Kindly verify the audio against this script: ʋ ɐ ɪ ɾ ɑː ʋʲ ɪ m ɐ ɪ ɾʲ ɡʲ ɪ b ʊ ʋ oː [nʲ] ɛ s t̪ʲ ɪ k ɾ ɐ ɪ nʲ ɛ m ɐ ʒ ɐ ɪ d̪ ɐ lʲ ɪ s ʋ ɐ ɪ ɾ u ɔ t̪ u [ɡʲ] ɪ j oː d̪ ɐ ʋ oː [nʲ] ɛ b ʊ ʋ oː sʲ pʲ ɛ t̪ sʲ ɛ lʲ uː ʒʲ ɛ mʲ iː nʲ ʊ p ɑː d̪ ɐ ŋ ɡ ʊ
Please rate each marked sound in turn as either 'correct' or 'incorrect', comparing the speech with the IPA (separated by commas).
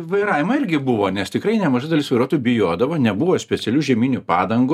correct, incorrect, correct